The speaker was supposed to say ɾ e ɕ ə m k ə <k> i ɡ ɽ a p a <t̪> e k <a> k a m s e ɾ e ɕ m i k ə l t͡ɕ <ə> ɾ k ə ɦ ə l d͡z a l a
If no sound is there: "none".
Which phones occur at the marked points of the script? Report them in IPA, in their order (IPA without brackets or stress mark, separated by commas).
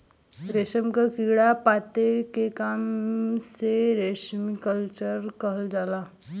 k, t̪, e, ə